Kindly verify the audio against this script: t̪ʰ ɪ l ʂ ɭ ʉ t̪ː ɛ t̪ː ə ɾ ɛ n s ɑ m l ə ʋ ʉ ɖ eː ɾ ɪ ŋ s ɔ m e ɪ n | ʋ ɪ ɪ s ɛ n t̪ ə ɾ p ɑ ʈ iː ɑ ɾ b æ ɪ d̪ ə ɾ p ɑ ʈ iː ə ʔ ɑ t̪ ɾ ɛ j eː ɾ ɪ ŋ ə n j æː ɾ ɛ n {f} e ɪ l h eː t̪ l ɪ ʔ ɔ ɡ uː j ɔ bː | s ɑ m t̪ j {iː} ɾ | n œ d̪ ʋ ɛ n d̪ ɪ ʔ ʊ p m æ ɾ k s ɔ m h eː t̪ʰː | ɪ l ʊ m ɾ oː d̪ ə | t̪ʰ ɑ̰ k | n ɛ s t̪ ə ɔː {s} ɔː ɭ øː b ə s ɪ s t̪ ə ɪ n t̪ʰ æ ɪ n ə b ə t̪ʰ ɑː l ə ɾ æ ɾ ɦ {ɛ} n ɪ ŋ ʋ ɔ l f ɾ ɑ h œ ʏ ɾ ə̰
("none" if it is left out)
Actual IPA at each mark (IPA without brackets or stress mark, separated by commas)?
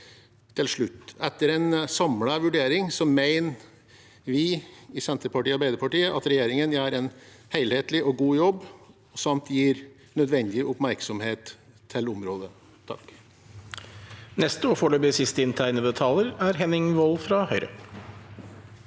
h, iː, f, ɛ